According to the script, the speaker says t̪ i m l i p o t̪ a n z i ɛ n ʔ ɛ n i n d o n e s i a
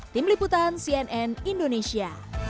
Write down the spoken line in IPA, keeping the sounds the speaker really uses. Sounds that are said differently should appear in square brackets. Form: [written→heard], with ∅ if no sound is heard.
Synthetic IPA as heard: t̪ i m l i p [o→u] t̪ a n [z→s] i ɛ n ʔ ɛ n i n d o n e s i a